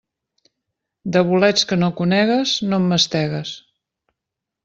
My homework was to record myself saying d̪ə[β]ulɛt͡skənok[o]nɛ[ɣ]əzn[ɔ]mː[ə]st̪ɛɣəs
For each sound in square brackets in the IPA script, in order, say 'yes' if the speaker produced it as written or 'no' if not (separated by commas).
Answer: yes, no, yes, no, yes